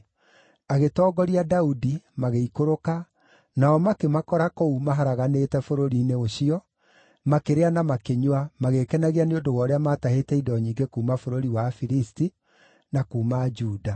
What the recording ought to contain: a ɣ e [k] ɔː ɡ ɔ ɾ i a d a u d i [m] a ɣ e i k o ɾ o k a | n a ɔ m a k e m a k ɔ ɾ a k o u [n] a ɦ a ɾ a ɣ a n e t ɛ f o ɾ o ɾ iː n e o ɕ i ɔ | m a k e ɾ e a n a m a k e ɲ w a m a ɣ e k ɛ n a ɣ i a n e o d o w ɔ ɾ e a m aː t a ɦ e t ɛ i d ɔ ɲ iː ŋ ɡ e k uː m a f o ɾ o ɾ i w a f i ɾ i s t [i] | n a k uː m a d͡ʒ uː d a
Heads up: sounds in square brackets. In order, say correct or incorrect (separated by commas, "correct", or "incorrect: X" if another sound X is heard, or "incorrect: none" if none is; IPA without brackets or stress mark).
incorrect: t, correct, incorrect: m, correct